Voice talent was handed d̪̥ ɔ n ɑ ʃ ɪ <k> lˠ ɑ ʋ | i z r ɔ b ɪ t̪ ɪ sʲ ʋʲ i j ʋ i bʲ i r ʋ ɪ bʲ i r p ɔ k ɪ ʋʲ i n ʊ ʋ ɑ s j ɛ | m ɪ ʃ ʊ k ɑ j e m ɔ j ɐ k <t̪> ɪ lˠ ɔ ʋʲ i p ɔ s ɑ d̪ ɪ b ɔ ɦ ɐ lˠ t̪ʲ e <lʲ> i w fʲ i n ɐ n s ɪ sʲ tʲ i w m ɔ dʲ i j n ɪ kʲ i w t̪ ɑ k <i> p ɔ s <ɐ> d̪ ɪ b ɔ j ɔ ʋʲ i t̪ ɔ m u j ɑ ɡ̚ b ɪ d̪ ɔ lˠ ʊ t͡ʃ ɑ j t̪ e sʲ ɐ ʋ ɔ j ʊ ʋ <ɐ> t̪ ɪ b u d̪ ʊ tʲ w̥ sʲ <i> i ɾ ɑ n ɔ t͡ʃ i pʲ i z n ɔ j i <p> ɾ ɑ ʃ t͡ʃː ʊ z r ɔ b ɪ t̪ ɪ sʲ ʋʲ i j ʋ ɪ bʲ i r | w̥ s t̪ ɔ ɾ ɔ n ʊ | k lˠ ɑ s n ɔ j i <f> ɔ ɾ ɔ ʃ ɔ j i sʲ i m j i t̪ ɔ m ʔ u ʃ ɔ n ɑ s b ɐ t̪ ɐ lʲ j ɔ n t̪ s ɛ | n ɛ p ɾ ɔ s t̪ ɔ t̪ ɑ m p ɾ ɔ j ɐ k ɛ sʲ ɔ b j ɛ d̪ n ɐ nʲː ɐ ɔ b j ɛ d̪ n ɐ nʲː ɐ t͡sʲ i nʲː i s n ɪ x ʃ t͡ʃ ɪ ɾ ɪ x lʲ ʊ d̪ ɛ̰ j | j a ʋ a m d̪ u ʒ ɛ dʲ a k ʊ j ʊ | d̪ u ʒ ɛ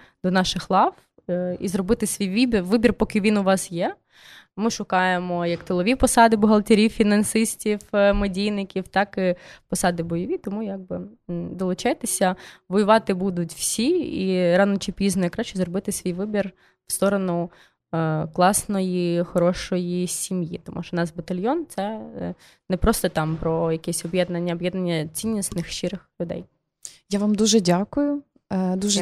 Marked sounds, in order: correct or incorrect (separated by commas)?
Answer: incorrect, correct, incorrect, incorrect, incorrect, incorrect, correct, incorrect, incorrect